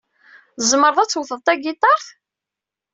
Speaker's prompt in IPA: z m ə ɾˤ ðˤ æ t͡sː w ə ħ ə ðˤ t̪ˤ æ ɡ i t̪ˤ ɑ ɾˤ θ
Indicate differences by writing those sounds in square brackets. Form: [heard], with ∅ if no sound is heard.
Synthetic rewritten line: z m ə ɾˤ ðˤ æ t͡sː w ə [θ] ə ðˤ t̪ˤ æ ɡ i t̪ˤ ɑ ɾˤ θ